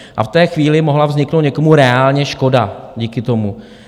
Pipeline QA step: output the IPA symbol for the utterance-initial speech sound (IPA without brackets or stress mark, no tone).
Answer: ʔ